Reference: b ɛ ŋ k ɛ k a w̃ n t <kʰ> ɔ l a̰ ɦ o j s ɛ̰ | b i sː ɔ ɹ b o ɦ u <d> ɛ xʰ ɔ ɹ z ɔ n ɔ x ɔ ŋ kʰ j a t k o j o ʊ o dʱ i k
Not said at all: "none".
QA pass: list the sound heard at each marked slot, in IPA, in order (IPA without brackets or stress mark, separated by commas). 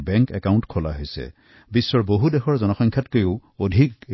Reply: kʰ, d